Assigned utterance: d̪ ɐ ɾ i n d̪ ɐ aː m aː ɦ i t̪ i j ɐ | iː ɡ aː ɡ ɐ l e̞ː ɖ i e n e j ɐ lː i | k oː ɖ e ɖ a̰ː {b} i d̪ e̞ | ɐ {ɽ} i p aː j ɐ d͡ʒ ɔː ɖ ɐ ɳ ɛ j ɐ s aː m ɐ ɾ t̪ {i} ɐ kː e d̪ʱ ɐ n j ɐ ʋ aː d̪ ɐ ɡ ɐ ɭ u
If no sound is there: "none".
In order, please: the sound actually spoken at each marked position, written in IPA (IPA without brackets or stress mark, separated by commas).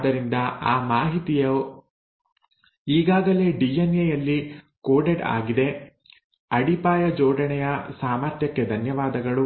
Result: ɡ, ɽ, j